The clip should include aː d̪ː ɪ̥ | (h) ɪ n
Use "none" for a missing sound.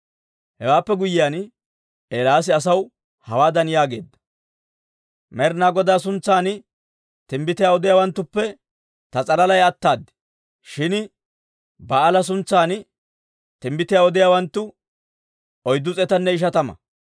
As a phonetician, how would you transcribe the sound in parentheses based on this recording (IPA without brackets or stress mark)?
ʃ